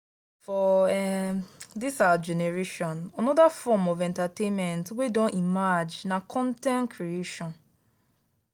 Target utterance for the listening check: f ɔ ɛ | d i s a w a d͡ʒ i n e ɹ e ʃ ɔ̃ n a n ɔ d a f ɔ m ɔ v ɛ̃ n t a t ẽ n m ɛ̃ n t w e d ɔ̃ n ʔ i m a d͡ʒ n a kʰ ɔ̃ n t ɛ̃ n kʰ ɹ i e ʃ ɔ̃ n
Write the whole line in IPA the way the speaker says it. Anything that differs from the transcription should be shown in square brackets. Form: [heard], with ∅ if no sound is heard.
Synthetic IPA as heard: f ɔ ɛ | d i s a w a d͡ʒ [ɛ] n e ɹ e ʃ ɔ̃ n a n ɔ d a f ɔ m ɔ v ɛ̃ n t a t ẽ n m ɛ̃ n t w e d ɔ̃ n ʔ i m a d͡ʒ n a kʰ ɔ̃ n t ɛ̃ n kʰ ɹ i e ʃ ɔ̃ n